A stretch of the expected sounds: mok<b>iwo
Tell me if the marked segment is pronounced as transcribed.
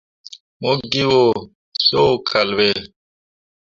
no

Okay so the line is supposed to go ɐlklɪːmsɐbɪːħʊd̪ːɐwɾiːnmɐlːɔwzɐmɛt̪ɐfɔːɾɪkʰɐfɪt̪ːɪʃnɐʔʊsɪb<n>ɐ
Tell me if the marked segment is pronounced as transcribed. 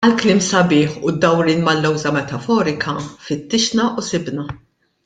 yes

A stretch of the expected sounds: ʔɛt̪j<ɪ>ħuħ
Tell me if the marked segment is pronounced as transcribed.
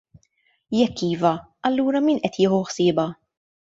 no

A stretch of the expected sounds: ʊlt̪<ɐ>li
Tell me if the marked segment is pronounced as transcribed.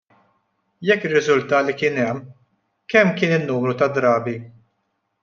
no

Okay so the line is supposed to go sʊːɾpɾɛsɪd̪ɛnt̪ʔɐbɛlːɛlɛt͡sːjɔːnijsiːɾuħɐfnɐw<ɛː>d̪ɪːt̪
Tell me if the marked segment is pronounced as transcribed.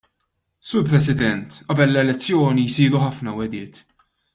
no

